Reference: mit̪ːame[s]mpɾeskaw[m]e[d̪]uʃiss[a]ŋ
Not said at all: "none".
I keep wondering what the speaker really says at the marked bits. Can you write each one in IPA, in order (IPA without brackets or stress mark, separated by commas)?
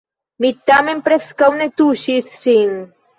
none, n, t̪, i